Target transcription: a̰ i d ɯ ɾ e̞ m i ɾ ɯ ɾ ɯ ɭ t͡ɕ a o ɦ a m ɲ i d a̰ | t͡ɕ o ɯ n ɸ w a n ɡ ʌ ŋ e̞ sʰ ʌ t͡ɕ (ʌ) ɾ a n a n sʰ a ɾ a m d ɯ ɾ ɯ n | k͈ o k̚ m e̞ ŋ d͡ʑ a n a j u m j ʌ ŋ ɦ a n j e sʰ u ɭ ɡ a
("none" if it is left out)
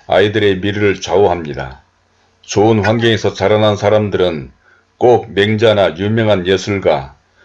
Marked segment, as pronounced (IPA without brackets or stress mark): a